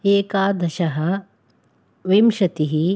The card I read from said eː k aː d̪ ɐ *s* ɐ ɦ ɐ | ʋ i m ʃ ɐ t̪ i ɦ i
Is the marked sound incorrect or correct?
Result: incorrect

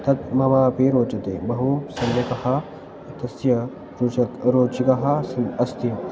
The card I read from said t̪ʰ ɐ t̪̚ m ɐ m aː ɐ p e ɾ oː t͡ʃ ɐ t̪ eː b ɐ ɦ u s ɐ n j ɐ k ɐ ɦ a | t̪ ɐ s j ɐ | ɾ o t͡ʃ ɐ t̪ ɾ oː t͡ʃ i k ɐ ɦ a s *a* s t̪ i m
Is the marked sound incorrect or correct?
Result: incorrect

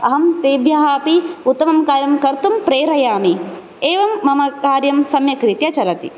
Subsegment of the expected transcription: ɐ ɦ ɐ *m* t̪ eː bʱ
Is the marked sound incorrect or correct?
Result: correct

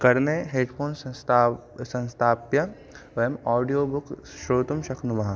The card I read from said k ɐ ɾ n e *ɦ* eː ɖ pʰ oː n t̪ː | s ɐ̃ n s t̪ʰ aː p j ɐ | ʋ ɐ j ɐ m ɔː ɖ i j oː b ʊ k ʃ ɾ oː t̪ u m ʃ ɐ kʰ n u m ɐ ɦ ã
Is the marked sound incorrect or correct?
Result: correct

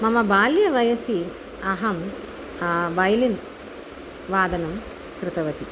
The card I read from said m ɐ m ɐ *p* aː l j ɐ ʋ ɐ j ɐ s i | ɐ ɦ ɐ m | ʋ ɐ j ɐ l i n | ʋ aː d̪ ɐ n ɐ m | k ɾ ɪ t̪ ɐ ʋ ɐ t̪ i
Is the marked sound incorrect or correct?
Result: incorrect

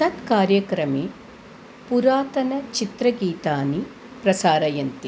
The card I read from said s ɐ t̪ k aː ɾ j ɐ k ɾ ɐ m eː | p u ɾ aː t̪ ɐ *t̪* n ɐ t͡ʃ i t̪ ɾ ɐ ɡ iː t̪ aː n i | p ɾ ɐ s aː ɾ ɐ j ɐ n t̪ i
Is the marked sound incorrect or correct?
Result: incorrect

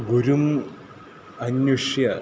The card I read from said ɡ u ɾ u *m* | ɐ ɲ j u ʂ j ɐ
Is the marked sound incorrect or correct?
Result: correct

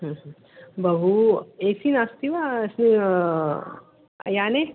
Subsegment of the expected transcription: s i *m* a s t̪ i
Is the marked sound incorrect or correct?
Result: incorrect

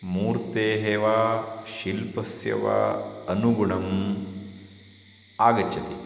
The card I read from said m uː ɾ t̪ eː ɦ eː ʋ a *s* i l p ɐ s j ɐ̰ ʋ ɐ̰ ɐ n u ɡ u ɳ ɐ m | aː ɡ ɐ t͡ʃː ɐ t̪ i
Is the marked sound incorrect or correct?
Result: incorrect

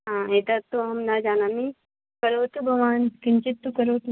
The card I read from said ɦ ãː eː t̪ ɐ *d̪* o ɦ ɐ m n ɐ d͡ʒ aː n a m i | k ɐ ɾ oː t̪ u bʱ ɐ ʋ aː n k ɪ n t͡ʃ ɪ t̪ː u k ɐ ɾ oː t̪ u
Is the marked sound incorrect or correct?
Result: incorrect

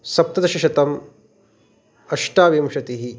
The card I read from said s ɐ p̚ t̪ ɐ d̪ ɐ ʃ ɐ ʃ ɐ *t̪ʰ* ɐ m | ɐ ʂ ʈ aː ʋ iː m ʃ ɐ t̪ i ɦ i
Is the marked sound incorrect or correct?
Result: incorrect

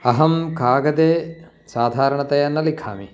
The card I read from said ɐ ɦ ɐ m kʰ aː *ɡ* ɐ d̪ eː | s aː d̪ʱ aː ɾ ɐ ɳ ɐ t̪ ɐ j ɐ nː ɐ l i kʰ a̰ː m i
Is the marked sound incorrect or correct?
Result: correct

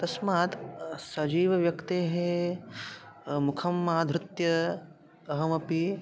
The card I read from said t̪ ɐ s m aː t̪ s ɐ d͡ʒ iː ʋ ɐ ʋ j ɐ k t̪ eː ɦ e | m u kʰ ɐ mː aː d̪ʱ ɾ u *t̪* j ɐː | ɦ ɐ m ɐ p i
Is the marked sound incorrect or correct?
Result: correct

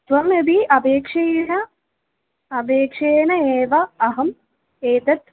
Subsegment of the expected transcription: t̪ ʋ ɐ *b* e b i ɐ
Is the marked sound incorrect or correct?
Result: incorrect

